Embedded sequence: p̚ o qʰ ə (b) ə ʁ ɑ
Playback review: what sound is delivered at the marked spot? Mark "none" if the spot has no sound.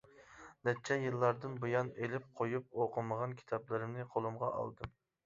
m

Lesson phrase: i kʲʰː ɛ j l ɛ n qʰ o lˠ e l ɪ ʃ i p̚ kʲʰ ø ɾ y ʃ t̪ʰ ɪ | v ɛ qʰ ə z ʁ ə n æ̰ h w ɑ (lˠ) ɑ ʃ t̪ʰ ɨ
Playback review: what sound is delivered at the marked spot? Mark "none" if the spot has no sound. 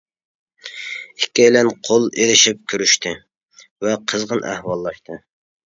lˠː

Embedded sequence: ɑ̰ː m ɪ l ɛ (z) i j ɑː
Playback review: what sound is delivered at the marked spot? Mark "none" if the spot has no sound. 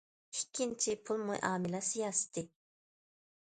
s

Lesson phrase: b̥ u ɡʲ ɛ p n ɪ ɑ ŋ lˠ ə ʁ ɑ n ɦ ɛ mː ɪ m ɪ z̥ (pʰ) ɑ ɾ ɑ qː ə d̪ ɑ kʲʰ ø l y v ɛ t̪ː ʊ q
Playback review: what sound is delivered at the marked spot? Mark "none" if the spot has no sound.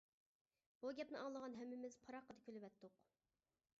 pʰ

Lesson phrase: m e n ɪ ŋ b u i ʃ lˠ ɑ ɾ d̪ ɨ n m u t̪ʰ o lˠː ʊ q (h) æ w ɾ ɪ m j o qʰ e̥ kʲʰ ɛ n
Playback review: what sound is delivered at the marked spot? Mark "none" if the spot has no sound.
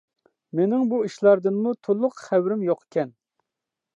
χ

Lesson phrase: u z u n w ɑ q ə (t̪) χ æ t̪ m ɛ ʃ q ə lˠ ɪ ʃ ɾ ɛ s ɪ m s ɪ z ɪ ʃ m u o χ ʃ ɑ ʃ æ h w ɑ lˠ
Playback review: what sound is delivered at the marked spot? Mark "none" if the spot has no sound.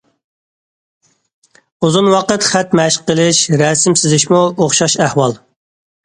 t̪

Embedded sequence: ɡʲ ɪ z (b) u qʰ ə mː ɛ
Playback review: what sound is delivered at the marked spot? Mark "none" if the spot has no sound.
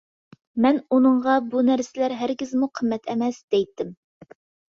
m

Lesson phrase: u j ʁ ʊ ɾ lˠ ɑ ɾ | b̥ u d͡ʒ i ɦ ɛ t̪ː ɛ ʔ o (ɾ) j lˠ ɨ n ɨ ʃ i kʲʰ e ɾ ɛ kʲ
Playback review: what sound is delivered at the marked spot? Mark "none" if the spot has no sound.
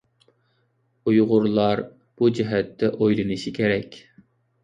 none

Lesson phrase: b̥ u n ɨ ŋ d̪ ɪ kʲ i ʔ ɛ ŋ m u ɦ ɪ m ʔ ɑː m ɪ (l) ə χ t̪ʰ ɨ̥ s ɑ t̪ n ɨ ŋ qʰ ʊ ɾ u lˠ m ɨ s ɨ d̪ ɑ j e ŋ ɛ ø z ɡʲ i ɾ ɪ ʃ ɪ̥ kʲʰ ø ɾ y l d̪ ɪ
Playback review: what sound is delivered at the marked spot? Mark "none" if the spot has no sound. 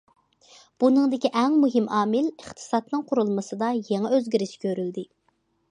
l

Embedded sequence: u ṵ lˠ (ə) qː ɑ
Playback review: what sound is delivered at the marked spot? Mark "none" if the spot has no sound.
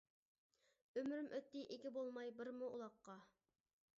ɑ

